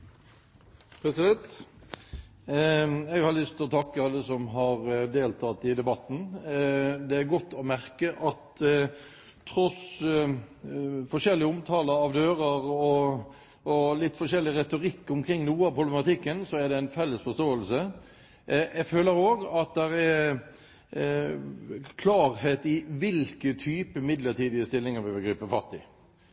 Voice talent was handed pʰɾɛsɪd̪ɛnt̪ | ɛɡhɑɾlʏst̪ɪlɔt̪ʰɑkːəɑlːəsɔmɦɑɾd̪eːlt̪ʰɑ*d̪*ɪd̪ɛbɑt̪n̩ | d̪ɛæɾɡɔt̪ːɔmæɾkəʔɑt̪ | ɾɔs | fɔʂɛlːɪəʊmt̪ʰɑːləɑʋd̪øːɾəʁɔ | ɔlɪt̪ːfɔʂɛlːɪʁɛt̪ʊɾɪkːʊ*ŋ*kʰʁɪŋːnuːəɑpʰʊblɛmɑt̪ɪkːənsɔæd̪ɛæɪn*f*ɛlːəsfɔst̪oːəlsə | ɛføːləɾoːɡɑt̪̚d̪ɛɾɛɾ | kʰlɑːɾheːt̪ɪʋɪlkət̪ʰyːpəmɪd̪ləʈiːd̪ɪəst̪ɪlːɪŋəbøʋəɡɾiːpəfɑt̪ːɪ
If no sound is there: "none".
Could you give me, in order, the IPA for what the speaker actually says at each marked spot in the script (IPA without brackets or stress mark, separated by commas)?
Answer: t̪, m, f